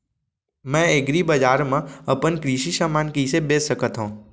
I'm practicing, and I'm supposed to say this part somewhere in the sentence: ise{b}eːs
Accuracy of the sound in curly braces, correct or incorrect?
correct